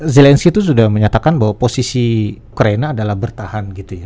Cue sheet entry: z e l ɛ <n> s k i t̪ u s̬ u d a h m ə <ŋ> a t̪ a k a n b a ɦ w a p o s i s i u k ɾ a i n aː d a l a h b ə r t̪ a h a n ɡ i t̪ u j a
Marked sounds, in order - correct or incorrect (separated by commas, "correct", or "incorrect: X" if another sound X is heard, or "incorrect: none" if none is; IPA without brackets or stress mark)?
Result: correct, incorrect: ɲ